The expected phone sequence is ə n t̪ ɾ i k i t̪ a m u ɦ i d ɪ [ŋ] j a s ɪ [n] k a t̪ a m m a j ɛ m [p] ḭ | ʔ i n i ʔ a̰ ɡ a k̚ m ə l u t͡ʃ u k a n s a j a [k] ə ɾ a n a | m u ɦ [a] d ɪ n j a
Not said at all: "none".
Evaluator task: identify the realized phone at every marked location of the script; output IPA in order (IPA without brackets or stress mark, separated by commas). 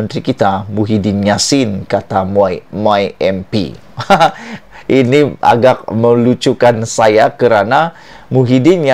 n, n, p, k, i